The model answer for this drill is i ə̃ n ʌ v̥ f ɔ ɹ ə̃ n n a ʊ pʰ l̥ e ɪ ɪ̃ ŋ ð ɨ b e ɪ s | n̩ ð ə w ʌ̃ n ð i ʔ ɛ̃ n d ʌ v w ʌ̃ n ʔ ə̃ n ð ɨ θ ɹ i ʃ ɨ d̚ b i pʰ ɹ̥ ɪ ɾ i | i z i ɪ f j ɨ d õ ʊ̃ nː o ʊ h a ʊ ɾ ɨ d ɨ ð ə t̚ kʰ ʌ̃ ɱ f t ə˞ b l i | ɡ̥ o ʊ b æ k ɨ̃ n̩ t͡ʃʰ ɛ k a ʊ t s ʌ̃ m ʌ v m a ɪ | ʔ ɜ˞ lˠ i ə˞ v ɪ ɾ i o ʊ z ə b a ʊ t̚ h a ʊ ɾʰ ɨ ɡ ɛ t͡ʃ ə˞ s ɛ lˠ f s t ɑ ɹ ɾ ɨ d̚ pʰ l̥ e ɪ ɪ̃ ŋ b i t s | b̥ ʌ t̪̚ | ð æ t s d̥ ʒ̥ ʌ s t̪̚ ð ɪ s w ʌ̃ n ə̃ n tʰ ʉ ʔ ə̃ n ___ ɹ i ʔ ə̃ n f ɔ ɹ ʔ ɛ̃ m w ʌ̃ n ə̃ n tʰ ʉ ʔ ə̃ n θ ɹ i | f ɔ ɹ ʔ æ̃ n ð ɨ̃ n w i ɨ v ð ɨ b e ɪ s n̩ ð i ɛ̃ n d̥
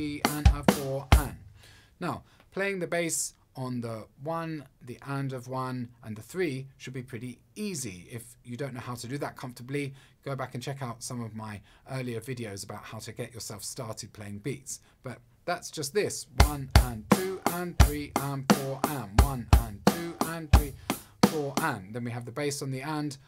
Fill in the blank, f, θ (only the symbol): θ